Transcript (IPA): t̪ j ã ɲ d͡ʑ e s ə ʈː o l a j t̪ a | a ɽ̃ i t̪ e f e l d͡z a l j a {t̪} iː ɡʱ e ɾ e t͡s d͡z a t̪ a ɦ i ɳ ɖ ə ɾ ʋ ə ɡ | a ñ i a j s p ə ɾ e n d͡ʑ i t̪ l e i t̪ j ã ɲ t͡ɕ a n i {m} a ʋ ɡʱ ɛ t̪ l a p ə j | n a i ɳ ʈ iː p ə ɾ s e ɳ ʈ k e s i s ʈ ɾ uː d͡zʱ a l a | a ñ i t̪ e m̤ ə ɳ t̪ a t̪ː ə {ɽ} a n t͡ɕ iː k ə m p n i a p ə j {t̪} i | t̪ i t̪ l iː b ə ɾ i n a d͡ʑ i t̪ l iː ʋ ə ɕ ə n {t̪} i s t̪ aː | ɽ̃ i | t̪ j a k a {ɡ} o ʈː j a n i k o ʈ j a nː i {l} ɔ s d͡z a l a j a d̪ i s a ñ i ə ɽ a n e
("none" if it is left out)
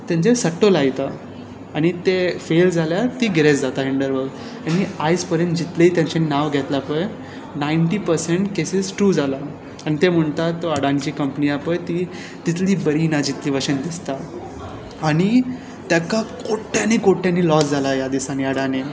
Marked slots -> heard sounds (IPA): t̪, n, ɽ, t̪, d̪, k, l

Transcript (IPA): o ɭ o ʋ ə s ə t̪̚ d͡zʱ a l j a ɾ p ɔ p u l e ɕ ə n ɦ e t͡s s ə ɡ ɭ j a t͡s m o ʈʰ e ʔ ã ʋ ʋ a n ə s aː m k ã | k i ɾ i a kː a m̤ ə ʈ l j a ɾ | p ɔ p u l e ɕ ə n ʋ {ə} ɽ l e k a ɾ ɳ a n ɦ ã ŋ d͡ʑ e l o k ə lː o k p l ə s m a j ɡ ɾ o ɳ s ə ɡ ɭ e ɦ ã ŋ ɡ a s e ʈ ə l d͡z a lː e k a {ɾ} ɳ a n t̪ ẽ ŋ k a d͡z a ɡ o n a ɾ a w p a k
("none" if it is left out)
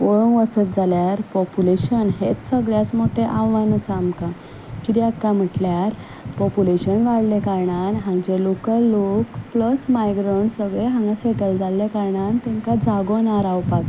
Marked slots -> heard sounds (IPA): a, ɾ

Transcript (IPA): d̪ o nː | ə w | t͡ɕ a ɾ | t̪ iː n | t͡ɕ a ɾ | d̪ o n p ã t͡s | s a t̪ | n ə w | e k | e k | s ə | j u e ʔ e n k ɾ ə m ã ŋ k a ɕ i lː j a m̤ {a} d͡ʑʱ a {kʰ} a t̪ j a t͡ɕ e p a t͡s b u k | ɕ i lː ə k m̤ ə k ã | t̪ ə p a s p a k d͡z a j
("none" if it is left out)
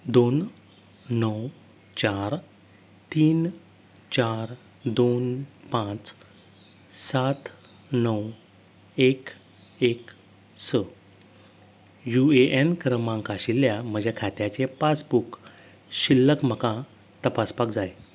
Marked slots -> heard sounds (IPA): ə, kʰ

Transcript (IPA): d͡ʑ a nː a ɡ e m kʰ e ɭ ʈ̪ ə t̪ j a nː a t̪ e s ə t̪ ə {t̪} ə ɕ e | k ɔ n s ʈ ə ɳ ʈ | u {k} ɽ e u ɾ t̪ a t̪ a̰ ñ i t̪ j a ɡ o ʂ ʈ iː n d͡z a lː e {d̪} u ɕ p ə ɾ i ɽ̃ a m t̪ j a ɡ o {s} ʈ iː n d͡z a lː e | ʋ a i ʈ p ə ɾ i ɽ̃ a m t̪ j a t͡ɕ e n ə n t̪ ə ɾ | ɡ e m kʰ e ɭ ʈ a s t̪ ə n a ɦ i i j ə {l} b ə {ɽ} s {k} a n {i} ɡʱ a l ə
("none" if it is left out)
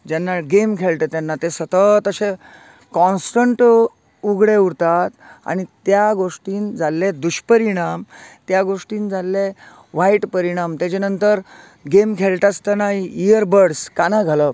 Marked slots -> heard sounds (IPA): t̪, ɡ, d̪, ʂ, ɾ, ɽ, k, a

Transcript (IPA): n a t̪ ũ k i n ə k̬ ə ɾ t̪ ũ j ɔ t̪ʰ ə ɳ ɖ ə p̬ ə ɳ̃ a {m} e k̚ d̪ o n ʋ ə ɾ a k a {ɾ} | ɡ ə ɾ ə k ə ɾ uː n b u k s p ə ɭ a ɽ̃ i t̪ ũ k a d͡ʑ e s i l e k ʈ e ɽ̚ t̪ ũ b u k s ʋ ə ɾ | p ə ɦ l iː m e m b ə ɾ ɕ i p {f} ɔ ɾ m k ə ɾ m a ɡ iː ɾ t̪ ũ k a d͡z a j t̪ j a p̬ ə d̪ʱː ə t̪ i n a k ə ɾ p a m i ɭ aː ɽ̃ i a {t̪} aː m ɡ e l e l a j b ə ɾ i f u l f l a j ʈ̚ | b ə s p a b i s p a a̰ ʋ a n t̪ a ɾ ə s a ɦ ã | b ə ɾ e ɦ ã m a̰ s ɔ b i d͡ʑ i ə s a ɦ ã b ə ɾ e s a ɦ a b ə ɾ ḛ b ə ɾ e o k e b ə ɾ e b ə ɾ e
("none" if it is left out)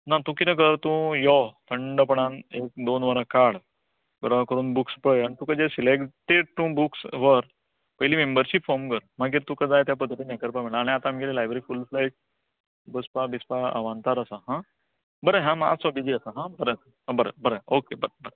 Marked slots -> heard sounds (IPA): n, ɽ, f, t̪

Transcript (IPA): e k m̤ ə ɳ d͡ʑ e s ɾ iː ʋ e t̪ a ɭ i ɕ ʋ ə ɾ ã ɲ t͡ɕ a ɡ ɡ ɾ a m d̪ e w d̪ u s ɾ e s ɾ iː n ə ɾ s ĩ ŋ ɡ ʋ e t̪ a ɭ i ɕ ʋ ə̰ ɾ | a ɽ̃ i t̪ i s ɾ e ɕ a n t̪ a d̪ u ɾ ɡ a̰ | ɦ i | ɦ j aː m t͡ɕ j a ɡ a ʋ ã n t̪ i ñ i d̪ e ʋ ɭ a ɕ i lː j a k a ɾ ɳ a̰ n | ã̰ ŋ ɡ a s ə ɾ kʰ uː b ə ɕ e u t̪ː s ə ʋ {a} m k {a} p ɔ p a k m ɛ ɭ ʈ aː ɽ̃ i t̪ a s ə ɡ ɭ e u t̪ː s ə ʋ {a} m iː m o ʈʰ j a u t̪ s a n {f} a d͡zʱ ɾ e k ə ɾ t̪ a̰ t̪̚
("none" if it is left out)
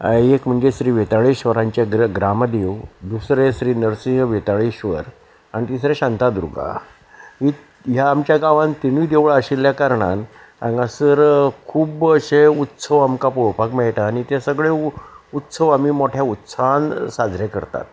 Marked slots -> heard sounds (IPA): a, a, a, s

